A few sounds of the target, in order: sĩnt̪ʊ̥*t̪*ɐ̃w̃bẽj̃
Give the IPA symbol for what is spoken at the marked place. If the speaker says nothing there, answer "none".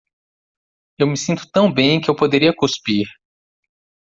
t̪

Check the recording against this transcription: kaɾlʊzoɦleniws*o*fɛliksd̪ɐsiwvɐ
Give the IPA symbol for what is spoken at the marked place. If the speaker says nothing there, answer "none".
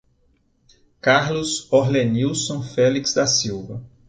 õ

